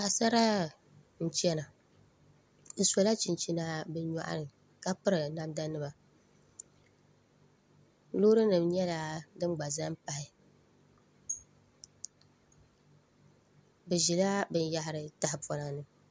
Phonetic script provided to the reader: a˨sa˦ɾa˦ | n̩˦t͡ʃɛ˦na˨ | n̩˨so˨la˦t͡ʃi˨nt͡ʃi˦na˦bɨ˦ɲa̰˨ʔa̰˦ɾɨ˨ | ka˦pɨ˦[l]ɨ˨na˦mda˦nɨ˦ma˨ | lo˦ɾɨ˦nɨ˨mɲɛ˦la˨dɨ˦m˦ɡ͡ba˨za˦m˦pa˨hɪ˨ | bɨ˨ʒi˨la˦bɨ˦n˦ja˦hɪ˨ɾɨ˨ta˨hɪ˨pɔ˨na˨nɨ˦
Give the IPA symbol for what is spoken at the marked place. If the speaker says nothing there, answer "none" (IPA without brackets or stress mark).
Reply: ɾ